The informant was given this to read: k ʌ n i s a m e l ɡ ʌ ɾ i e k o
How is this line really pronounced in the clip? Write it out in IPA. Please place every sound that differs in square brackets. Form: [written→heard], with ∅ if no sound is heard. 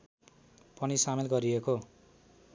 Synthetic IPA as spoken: [k→p] ʌ n i s a m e l ɡ ʌ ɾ i e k o